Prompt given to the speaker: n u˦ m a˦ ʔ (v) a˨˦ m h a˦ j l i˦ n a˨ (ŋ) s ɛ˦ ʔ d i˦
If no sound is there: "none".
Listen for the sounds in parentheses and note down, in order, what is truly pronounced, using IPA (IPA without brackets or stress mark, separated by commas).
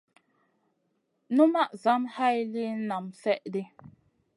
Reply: z, m